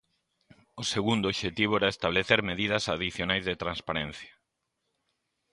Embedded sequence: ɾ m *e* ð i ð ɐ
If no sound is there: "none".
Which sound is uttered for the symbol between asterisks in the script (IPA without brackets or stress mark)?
e